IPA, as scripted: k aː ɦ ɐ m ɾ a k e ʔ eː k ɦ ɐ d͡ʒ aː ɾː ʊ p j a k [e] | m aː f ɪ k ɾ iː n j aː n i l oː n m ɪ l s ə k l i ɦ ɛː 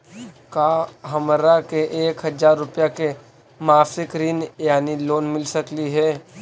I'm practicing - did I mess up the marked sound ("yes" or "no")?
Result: no